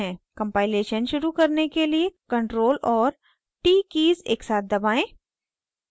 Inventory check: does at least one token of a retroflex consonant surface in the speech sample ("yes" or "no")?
yes